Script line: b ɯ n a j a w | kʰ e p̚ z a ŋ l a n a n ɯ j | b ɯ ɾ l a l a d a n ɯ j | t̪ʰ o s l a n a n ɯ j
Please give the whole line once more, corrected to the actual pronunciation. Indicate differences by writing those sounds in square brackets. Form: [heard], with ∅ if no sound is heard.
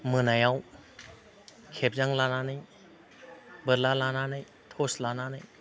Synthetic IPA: [m] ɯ n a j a w | kʰ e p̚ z a ŋ l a n a n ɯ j | b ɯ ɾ l a l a [n] a n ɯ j | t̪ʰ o s l a n a n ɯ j

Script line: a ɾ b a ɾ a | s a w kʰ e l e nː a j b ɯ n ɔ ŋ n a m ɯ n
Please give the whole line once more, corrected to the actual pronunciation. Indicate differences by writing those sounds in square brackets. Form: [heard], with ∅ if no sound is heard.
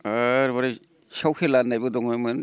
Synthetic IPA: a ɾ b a ɾ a | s a w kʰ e l [a] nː a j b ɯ [d] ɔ ŋ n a m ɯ n

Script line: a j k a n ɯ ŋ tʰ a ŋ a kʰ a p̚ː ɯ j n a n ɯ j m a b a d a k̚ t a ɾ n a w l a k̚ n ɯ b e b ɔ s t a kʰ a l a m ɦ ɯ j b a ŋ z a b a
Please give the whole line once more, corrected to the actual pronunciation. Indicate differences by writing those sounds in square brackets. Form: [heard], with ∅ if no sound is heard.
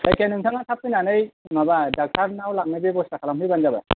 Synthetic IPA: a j k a n ɯ ŋ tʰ a ŋ a [tʰ] a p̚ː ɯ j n a n ɯ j m a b a d a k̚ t a ɾ n a w l a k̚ n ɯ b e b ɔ s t a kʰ a l a m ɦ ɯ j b a [n] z a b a

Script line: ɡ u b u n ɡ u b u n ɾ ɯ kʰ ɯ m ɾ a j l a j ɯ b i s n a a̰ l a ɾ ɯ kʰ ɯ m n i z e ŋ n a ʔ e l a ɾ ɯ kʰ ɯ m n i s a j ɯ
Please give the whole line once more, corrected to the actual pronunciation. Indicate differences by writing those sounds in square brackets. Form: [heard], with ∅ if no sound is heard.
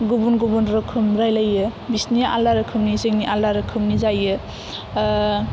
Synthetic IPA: ɡ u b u n ɡ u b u n ɾ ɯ kʰ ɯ m ɾ a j l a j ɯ b i s n [i] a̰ l a ɾ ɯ kʰ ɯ m n i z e ŋ n [i] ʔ [a] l a ɾ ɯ kʰ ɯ m n i [z] a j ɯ

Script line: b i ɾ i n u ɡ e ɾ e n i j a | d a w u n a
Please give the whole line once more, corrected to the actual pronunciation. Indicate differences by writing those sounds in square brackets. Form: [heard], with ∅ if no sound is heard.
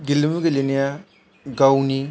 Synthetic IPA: [ɡ] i [l] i [m] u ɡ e [l] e n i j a | [ɡ] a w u n [i]

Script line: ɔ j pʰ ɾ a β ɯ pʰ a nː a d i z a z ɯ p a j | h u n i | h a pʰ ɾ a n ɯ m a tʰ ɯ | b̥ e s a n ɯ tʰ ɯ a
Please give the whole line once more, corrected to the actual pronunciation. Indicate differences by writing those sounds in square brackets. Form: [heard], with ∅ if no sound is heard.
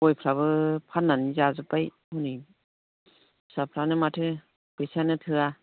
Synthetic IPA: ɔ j pʰ ɾ a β ɯ pʰ a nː a [n] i z a z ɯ p a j | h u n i | [s] a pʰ ɾ a n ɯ m a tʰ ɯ | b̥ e s a n ɯ tʰ ɯ a

